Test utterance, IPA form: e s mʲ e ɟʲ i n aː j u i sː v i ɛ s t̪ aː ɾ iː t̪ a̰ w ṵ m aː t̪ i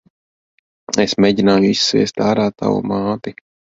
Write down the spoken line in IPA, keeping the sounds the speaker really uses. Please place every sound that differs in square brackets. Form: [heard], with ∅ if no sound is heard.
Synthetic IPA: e s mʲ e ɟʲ i n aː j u i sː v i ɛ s t̪ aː ɾ [aː] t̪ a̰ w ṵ m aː t̪ i